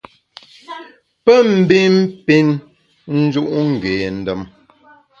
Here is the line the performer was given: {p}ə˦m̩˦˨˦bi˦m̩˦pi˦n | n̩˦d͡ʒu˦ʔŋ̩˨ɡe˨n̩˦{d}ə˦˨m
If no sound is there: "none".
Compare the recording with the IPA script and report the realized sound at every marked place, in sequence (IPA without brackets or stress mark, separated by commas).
p, d